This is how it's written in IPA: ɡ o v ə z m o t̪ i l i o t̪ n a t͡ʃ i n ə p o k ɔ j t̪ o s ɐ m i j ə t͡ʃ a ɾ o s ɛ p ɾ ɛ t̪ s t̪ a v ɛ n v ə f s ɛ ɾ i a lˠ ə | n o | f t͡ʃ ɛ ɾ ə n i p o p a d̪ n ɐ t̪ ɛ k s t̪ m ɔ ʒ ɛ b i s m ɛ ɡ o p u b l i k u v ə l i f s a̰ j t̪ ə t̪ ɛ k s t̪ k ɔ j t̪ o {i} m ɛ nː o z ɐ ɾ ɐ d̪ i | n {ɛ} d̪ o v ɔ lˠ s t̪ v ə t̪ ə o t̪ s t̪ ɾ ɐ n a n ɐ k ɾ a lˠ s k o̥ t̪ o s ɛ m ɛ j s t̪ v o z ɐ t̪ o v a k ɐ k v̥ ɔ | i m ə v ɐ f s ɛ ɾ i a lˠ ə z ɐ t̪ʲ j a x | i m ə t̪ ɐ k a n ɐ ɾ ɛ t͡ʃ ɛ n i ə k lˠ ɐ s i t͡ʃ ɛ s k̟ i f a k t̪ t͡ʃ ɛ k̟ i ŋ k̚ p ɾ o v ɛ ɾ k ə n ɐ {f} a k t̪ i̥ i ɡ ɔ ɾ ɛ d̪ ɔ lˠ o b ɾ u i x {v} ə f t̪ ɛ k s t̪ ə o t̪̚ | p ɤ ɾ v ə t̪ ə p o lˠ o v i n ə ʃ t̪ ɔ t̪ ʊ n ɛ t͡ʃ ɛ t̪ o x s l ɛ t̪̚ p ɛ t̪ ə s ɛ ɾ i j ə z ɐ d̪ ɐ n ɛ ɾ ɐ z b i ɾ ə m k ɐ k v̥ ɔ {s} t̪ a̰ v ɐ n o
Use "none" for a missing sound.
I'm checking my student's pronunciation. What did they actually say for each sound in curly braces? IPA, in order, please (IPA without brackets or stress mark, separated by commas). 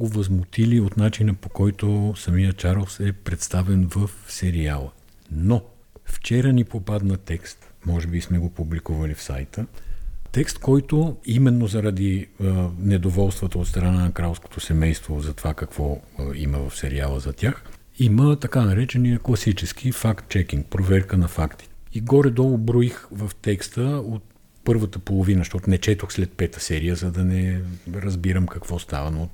i, ɛ, f, v, s